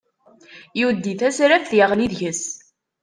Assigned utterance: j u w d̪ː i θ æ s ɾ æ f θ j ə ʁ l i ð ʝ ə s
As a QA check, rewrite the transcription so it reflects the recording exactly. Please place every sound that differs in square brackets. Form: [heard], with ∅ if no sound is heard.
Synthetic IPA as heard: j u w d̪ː i θ æ s ɾ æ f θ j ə ʁ l i ð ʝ ə s